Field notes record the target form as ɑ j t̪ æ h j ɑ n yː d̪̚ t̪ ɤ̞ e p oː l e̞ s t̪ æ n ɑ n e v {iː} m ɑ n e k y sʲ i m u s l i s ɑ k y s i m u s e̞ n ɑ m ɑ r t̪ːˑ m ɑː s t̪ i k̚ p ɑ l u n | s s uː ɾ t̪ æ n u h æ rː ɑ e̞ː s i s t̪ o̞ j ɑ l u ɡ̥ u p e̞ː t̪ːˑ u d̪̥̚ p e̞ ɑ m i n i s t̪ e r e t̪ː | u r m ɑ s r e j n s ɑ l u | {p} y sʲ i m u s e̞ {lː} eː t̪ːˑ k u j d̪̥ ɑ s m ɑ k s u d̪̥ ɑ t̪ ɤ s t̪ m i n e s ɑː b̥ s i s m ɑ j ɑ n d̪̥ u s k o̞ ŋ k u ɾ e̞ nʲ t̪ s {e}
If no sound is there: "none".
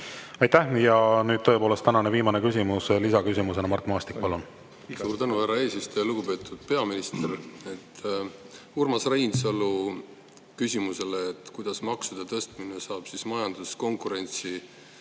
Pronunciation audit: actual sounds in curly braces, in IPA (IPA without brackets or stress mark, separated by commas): iː, k, l, i